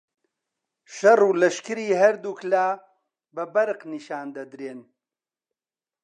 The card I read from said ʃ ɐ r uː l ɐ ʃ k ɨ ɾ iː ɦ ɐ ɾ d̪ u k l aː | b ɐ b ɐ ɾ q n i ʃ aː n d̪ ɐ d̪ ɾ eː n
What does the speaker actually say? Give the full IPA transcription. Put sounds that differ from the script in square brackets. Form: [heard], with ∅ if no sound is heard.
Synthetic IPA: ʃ ɐ r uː l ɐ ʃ k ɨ ɾ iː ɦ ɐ ɾ d̪ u k l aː | b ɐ b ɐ ɾ q n i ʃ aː n d̪ ɐ d̪ ɾ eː n